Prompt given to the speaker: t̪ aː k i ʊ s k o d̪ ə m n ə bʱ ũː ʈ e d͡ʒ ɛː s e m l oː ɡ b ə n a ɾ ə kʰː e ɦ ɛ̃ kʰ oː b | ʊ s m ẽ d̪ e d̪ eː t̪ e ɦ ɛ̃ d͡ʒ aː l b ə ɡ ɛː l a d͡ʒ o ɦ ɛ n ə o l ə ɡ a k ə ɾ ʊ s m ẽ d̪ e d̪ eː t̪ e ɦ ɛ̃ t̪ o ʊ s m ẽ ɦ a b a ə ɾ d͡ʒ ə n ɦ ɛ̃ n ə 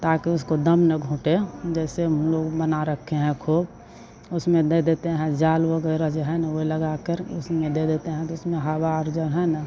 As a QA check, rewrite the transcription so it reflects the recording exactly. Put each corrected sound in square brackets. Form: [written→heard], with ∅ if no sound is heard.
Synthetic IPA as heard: t̪ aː k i ʊ s k o d̪ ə m n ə [bʱ→ɡʱ] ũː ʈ e d͡ʒ ɛː s e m l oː ɡ b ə n a ɾ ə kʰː e ɦ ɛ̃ kʰ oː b | ʊ s m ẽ d̪ e d̪ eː t̪ e ɦ ɛ̃ d͡ʒ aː l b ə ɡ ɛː [l→ɾ] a d͡ʒ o ɦ ɛ n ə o l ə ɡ a k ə ɾ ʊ s m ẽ d̪ e d̪ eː t̪ e ɦ ɛ̃ t̪ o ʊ s m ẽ ɦ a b a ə ɾ d͡ʒ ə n ɦ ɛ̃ n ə